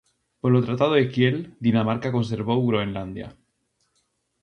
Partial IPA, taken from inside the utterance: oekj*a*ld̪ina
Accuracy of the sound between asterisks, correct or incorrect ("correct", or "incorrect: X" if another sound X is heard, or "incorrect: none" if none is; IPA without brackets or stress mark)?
incorrect: e